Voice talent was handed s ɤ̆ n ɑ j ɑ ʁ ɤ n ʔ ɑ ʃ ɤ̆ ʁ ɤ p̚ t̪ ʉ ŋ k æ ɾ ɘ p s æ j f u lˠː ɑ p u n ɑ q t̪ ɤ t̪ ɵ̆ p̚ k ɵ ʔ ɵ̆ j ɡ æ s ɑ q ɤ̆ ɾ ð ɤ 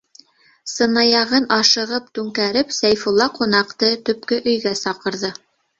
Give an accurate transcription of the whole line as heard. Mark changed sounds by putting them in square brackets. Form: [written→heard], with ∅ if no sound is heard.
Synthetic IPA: s ɤ̆ n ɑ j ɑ ʁ ɤ n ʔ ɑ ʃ ɤ̆ ʁ ɤ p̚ t̪ ʉ ŋ k æ ɾ ɘ p s æ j f u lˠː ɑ [p→q] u n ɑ q t̪ ɤ t̪ ɵ̆ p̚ k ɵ ʔ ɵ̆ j ɡ æ s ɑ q ɤ̆ ɾ ð ɤ

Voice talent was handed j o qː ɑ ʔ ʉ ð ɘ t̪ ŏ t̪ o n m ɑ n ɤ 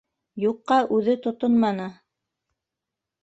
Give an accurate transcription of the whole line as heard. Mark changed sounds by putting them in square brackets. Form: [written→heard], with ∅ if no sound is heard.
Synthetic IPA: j [o→u] qː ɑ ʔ ʉ ð ɘ t̪ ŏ t̪ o n m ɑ n ɤ

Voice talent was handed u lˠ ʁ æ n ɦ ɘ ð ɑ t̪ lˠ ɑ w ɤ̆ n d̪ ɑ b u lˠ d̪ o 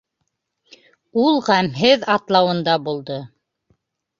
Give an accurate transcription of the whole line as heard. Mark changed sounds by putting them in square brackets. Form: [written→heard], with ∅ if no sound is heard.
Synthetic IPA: u lˠ ʁ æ [n→m] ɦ ɘ ð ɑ t̪ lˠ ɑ w ɤ̆ n d̪ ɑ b u lˠ d̪ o

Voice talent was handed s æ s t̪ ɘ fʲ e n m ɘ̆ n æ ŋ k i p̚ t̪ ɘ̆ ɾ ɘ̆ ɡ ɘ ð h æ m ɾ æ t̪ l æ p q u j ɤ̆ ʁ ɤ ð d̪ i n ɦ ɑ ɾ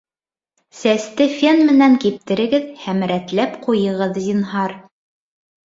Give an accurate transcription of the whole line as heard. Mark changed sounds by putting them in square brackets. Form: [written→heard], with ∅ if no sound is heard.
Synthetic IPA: s æ s t̪ ɘ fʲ e n m ɘ̆ n æ ŋ k i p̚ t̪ ɘ̆ ɾ ɘ̆ ɡ ɘ ð h æ m ɾ æ t̪ l æ p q u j ɤ̆ ʁ ɤ ð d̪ i n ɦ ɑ ɾ

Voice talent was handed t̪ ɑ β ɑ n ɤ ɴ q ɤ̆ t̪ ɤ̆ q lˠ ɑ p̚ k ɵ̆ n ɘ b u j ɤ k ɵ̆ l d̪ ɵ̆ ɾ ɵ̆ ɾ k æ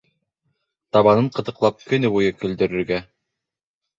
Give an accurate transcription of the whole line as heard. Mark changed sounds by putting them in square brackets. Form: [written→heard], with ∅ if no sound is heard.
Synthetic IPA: t̪ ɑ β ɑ n ɤ ɴ q ɤ̆ t̪ ɤ̆ q lˠ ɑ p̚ k ɵ̆ n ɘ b u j ɤ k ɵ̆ l d̪ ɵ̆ ɾ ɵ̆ ɾ [k→ɡ] æ

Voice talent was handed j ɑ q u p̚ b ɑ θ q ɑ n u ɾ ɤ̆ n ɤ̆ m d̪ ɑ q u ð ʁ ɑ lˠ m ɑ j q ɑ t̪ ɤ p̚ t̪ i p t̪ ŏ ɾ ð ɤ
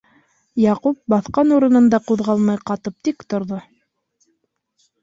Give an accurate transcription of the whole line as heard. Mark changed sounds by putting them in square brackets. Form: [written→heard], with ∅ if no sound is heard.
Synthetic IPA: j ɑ q u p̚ b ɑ θ q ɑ n u ɾ ɤ̆ n ɤ̆ [m→n] d̪ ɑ q u ð ʁ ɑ lˠ m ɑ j q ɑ t̪ ɤ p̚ t̪ i [p→k] t̪ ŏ ɾ ð [ɤ→o]

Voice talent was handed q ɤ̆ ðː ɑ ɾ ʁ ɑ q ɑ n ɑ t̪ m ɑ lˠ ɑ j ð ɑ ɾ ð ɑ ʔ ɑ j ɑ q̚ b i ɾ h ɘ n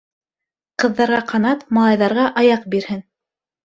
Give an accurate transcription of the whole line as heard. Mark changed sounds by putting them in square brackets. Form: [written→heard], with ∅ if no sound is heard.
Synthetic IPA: q ɤ̆ ðː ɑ ɾ ʁ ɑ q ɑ n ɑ t̪ m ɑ lˠ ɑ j ð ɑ ɾ [ð→ʁ] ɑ ʔ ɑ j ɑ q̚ b i ɾ h ɘ n

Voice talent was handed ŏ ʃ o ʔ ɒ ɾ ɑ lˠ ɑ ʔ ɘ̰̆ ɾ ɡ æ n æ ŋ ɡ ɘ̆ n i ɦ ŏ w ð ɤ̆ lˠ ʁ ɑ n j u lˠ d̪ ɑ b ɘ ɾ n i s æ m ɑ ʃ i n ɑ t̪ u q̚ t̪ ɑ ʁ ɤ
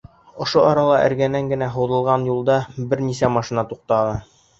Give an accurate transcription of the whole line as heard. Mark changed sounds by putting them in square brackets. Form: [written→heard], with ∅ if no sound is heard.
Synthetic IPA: ŏ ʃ o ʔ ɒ ɾ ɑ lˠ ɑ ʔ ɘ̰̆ ɾ ɡ æ n æ ŋ ɡ ɘ̆ n [i→æ] ɦ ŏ w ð ɤ̆ lˠ ʁ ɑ n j u lˠ d̪ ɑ b ɘ ɾ n i s æ m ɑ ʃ i n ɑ t̪ u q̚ t̪ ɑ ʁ ɤ

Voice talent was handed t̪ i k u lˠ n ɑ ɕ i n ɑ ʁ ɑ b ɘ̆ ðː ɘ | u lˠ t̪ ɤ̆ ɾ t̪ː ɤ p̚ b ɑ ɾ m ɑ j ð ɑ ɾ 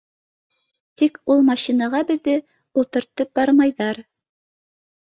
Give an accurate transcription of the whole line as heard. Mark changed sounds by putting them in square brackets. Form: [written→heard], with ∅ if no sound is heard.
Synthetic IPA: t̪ i k u lˠ [n→m] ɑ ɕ i n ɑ ʁ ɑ b ɘ̆ ðː ɘ | u lˠ t̪ ɤ̆ ɾ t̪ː ɤ p̚ b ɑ ɾ m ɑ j ð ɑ ɾ

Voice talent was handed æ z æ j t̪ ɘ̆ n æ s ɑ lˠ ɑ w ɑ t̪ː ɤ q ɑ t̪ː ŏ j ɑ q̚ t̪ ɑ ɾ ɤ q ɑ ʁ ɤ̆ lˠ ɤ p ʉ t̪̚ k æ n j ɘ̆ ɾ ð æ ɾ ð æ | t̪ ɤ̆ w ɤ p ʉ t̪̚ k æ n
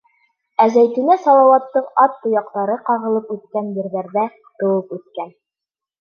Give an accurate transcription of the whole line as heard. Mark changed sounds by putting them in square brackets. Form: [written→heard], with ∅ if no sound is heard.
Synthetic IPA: æ z æ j t̪ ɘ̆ n æ s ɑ lˠ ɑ w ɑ t̪ː ɤ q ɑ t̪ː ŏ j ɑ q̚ t̪ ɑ ɾ ɤ q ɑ ʁ ɤ̆ lˠ ɤ p ʉ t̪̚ k æ n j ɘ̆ ɾ ð æ ɾ ð æ | t̪ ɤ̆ w ɤ p ʉ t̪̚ k æ n

